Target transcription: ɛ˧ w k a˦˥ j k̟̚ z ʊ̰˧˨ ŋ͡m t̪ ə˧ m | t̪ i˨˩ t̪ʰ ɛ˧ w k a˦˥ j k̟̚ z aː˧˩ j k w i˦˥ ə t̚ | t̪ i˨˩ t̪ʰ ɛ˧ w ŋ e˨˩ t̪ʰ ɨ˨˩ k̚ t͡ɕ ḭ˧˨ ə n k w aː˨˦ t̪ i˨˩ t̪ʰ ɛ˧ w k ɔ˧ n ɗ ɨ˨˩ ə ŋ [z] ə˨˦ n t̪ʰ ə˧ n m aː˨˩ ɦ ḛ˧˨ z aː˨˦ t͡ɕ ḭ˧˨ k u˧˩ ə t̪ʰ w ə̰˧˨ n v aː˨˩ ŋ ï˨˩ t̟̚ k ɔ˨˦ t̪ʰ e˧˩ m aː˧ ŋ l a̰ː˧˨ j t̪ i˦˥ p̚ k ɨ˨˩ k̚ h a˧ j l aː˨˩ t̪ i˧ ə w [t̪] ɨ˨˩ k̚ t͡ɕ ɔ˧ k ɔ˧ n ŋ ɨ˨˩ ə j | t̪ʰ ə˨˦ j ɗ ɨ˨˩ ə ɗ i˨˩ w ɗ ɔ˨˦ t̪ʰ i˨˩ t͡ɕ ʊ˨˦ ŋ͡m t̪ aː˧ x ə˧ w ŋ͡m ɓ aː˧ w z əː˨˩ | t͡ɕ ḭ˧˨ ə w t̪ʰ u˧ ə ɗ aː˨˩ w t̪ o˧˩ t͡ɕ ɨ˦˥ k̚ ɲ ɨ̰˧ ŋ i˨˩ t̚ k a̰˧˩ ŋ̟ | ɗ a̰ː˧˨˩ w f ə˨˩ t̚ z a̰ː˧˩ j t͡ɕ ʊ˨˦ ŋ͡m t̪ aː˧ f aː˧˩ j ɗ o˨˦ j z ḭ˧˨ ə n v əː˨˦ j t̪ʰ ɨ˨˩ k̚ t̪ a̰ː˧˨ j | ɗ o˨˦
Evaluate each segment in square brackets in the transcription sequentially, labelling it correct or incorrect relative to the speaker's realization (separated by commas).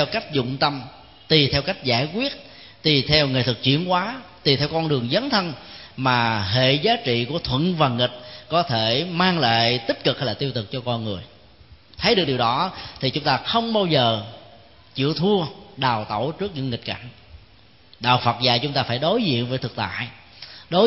correct, correct